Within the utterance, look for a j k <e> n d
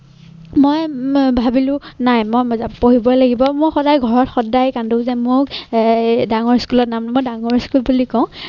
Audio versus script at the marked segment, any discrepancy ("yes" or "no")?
yes